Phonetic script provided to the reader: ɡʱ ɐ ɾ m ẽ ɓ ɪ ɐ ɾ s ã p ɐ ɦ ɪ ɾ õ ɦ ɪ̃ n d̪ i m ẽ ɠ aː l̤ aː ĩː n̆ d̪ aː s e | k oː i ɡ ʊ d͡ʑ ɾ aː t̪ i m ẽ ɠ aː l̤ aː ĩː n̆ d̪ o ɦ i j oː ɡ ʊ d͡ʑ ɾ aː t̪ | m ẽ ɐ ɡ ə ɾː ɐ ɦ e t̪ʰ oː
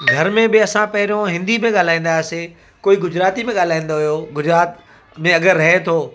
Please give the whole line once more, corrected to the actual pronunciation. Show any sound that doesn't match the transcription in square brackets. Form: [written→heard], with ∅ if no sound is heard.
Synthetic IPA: ɡʱ ɐ ɾ m ẽ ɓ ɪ ɐ [ɾ→∅] s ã p ɐ ɦ ɪ ɾ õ ɦ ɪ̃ n d̪ i m ẽ ɠ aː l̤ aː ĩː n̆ d̪ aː s e | k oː i ɡ ʊ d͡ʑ ɾ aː t̪ i m ẽ ɠ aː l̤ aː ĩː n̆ d̪ o ɦ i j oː ɡ ʊ d͡ʑ ɾ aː t̪ | m ẽ ɐ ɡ ə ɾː ɐ ɦ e t̪ʰ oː

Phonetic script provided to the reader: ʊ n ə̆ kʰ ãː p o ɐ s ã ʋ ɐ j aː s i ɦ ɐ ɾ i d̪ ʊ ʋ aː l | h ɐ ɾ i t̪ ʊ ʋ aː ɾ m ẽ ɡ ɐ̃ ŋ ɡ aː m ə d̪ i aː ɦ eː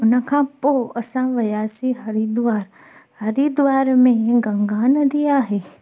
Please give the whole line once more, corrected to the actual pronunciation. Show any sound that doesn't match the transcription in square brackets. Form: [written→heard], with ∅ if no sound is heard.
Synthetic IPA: ʊ n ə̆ kʰ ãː p o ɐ s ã ʋ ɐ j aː s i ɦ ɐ ɾ i d̪ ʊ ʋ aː [l→ɾ] | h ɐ ɾ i [t̪→d̪] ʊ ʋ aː ɾ m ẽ ɡ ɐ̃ ŋ ɡ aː [m→n] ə d̪ i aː ɦ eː

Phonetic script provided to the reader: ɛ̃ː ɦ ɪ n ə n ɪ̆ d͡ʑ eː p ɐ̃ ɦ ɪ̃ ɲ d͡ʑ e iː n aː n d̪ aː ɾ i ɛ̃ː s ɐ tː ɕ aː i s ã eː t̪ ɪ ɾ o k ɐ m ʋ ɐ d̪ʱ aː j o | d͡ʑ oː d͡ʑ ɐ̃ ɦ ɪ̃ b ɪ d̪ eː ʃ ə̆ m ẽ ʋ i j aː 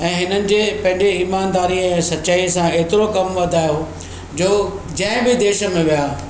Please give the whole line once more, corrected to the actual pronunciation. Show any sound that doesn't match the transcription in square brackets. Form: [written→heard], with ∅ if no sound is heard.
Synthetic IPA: ɛ̃ː ɦ ɪ n ə n ɪ̆ d͡ʑ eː p ɐ̃ ɦ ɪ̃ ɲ d͡ʑ e iː [n→m] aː n d̪ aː ɾ i ɛ̃ː s ɐ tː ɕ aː i s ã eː t̪ ɪ ɾ o k ɐ m ʋ ɐ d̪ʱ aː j o | d͡ʑ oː d͡ʑ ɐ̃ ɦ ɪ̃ b ɪ d̪ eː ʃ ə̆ m ẽ ʋ i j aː

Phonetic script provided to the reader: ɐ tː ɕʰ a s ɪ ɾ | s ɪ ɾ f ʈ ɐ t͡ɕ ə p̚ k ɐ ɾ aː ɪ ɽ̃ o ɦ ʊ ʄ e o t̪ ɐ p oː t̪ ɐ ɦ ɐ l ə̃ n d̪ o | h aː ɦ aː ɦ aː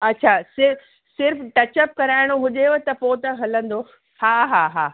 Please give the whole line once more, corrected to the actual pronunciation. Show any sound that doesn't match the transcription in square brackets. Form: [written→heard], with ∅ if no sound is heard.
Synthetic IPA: ɐ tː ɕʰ a s ɪ ɾ | s ɪ ɾ f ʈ ɐ t͡ɕ ə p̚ k ɐ ɾ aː ɪ ɽ̃ o ɦ ʊ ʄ e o t̪ ɐ p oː t̪ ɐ ɦ ɐ l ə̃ n d̪ o | h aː ɦ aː ɦ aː

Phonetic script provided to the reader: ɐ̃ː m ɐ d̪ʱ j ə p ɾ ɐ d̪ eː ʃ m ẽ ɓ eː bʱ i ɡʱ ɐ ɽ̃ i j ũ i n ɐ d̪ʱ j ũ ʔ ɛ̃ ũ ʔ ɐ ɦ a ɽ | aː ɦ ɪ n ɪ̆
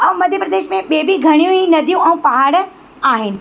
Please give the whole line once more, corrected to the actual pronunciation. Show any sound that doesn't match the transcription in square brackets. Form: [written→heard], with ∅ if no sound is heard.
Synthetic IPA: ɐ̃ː m ɐ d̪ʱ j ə p ɾ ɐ d̪ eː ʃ m ẽ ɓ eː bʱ i ɡʱ ɐ ɽ̃ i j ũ i n ɐ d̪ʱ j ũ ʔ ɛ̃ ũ [ʔ→p] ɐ ɦ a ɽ | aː ɦ ɪ n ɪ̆

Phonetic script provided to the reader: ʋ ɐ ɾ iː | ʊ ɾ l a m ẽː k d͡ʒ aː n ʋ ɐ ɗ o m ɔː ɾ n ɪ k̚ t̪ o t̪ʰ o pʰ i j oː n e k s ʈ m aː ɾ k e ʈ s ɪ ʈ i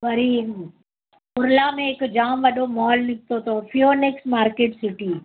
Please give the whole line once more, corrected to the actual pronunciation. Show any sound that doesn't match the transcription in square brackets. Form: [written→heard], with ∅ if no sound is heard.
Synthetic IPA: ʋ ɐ ɾ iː | ʊ ɾ l a m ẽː k d͡ʒ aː [n→m] ʋ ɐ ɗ o m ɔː [ɾ→l] n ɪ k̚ t̪ o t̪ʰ o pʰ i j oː n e k s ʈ m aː ɾ k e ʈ s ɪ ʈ i

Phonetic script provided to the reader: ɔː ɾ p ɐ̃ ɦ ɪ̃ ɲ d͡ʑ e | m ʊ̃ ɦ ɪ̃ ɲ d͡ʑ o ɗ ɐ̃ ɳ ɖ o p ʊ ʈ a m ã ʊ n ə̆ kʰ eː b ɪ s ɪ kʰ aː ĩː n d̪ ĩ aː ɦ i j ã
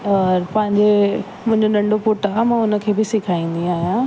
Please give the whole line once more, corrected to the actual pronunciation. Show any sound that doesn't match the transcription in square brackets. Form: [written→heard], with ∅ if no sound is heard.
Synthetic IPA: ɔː ɾ p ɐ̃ ɦ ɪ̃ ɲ d͡ʑ e | m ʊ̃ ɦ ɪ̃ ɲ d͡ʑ o ɗ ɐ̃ ɳ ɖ o p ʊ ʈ a m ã ʊ n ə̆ kʰ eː b ɪ s ɪ kʰ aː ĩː n d̪ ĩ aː ɦ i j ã

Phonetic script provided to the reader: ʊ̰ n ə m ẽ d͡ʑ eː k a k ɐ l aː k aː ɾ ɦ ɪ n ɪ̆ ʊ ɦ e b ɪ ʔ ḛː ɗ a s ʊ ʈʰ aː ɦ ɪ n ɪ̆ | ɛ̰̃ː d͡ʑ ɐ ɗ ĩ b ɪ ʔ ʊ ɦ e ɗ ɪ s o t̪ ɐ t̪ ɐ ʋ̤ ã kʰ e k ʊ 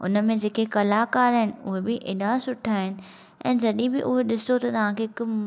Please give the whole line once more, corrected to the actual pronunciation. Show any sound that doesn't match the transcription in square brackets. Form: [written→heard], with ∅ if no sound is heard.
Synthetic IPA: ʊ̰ n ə m ẽ d͡ʑ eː k [a→e] k ɐ l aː k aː ɾ ɦ ɪ n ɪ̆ ʊ ɦ e b ɪ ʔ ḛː ɗ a s ʊ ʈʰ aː ɦ ɪ n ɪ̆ | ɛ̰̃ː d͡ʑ ɐ ɗ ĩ b ɪ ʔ ʊ ɦ e ɗ ɪ s o t̪ ɐ t̪ ɐ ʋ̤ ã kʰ e k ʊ

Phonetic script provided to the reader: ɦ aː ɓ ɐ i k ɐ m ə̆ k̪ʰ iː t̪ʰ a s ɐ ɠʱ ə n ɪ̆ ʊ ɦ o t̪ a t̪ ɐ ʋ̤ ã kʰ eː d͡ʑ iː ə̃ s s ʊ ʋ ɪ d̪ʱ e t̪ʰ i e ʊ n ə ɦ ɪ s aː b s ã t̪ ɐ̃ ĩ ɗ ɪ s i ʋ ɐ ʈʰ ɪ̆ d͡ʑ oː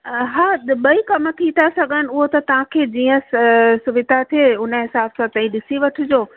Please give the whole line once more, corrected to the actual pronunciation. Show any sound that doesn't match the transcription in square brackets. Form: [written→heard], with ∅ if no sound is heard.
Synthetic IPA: ɦ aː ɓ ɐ i k ɐ m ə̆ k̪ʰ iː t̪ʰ a s ɐ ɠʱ ə n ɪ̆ ʊ ɦ o t̪ [a→ɐ] t̪ ɐ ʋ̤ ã kʰ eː d͡ʑ iː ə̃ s s ʊ ʋ ɪ d̪ʱ [e→a] t̪ʰ i e ʊ n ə ɦ ɪ s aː b s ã t̪ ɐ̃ ĩ ɗ ɪ s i ʋ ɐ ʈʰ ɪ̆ d͡ʑ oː

